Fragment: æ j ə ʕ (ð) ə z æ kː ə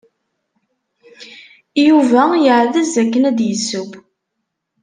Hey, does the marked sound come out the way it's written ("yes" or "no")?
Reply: yes